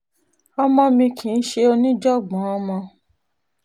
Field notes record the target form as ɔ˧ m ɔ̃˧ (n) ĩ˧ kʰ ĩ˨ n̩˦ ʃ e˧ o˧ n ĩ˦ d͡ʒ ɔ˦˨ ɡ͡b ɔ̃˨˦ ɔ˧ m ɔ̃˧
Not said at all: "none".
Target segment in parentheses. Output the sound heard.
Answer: m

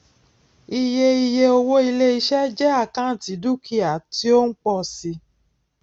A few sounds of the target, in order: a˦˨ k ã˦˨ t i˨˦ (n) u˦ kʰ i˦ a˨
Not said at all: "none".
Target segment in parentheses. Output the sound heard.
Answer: d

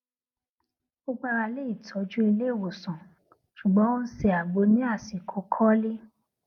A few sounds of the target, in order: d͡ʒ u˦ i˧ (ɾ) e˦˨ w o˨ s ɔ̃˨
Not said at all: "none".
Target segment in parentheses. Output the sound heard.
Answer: l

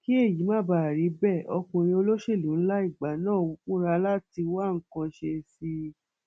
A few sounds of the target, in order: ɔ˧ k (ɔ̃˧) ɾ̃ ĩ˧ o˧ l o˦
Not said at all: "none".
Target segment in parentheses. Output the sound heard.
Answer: ũ˧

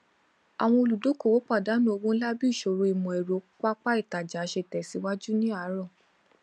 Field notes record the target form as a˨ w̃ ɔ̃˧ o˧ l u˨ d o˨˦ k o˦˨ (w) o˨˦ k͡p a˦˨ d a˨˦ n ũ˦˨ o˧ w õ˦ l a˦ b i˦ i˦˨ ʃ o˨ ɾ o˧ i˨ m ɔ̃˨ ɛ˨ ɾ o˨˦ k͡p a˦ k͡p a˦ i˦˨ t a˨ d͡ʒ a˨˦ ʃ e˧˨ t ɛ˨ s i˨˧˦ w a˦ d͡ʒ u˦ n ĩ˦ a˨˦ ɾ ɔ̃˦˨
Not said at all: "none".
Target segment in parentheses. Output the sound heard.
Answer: w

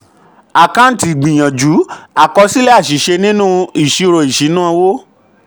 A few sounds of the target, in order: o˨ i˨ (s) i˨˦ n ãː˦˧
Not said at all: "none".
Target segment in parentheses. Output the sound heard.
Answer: ʃ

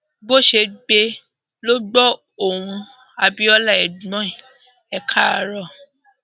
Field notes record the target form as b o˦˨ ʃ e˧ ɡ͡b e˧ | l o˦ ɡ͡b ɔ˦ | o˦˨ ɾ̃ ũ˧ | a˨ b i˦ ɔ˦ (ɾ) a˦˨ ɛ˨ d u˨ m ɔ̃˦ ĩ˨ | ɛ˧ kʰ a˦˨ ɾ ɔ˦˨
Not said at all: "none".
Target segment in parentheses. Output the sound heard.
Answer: l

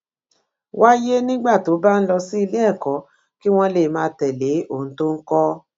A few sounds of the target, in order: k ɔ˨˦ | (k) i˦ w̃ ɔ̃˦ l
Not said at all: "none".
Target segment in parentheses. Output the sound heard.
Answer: k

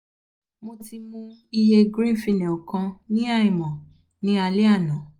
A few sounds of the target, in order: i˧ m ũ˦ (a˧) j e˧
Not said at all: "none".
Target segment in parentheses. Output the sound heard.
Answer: i˧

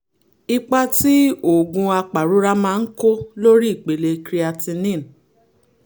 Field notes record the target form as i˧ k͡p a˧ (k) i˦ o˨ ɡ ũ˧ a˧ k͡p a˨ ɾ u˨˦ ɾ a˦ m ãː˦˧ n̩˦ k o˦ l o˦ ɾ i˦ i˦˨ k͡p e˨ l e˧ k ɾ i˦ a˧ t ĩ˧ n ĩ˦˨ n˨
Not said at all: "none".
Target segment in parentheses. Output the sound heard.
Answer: t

